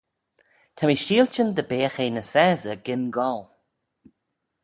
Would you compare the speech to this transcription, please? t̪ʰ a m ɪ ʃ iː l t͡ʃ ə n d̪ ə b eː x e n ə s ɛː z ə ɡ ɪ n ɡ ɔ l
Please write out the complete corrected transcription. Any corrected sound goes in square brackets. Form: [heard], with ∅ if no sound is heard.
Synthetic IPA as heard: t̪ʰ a m [i] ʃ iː l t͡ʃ ə n d̪ ə b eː x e n ə s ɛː z ə ɡ ɪ n ɡ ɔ l